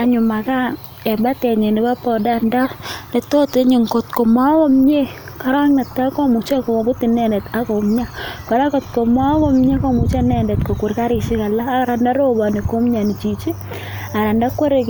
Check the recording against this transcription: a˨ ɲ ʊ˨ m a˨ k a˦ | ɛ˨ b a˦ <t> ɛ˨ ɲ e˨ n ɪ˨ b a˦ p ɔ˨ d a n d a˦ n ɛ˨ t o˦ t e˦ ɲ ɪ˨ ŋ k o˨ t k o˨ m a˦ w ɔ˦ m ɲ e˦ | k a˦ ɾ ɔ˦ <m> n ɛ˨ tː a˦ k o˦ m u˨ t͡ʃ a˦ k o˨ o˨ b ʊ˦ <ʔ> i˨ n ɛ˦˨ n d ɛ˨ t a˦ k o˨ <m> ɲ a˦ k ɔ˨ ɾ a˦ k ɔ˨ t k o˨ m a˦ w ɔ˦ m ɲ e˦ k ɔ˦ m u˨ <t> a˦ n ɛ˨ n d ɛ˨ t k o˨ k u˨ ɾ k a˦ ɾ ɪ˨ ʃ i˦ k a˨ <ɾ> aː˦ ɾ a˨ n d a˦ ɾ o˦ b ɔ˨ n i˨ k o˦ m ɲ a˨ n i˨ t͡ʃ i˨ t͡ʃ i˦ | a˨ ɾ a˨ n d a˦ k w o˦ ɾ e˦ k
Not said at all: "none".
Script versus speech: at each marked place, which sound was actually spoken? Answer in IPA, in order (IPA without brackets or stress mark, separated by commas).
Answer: t, ŋ, t, m, t͡ʃ, l